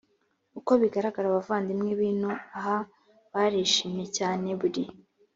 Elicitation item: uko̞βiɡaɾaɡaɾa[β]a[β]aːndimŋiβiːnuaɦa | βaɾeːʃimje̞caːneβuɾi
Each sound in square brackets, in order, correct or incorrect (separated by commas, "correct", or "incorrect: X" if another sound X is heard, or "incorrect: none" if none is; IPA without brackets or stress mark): correct, incorrect: v